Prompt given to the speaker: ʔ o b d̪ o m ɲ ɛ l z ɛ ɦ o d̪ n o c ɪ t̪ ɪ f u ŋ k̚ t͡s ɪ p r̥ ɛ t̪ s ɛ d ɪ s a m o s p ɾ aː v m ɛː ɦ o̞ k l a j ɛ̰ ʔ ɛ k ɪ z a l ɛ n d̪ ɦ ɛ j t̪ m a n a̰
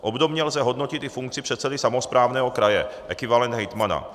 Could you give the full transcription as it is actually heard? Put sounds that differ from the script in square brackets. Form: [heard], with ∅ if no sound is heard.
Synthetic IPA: ʔ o b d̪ o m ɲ ɛ l z ɛ ɦ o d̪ n o c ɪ t̪ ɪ f u ŋ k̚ t͡s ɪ p r̥ ɛ t̪ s ɛ d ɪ s a m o s p ɾ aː v [n] ɛː ɦ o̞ k [ɾ] a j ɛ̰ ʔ ɛ k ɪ [v] a l ɛ n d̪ ɦ ɛ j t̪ m a n a̰